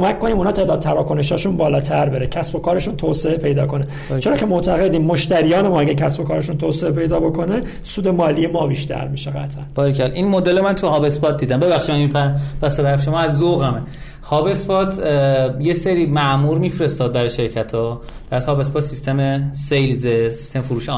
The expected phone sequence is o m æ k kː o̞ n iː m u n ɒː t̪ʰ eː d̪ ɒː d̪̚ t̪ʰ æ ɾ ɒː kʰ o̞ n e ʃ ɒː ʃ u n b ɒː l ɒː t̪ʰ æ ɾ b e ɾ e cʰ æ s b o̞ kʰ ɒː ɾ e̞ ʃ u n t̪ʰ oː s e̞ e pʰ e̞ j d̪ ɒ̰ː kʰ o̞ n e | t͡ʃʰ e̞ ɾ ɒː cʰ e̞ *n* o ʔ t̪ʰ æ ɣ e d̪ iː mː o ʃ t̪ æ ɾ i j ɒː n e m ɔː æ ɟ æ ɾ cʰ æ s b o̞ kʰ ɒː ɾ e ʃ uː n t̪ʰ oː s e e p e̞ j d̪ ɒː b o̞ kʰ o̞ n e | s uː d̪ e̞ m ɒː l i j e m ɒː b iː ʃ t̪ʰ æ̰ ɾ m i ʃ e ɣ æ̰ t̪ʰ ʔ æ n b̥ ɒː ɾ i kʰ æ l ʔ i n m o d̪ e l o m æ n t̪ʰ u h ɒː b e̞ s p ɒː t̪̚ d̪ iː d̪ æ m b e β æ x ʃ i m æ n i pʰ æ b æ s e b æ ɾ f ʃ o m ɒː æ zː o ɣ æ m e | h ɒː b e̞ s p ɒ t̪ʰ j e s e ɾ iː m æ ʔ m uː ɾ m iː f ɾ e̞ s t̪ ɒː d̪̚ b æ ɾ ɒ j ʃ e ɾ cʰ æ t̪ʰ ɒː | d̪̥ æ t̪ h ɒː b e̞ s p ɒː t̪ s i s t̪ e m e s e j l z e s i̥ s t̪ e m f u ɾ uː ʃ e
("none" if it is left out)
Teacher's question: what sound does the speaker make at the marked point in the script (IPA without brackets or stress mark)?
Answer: m